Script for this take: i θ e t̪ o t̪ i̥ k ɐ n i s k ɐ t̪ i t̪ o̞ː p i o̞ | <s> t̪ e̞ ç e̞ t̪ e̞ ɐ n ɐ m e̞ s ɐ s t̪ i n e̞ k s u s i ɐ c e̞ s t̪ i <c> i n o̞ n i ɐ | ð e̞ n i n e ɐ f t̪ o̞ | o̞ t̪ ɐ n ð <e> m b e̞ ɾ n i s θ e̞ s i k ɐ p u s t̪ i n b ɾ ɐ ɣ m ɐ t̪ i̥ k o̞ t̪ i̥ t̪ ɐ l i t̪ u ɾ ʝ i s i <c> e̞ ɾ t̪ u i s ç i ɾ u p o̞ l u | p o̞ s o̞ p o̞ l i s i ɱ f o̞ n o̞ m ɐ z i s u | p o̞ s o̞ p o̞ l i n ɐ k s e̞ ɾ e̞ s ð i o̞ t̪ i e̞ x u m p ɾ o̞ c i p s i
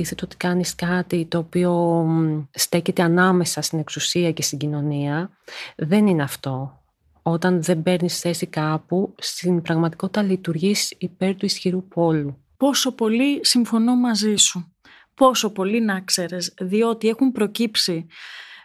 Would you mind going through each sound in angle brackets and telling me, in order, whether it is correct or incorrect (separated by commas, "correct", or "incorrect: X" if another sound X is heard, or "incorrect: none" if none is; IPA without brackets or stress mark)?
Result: correct, incorrect: ɟ, correct, incorrect: p